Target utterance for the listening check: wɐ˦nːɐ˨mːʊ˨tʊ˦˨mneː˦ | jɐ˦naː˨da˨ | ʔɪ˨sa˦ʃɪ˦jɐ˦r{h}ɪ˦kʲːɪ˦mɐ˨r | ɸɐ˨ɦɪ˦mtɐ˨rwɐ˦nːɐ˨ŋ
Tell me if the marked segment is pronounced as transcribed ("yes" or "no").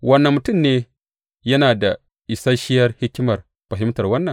yes